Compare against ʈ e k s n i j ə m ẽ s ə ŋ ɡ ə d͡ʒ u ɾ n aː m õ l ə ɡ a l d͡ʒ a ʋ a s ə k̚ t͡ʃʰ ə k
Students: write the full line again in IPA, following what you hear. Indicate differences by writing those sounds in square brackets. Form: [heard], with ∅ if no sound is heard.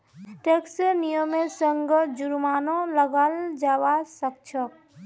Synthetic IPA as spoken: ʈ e k s n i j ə m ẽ s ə ŋ ɡ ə d͡ʒ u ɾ [m] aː [n] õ l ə ɡ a l d͡ʒ a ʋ a s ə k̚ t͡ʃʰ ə k